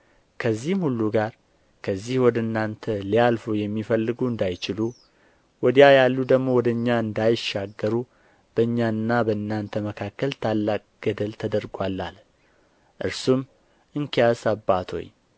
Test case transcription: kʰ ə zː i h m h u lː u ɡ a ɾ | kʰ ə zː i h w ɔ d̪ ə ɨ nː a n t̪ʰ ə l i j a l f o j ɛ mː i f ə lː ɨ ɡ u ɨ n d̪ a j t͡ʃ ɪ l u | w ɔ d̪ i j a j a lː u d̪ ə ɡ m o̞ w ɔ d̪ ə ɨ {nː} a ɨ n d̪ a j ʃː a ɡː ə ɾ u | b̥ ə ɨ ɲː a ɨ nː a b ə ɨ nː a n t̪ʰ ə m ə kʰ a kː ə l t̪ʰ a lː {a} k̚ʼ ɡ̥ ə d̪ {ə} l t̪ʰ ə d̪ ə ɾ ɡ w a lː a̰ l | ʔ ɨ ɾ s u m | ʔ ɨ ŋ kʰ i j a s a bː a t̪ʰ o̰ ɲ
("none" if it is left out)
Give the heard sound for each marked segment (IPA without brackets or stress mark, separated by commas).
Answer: ɲː, a, ə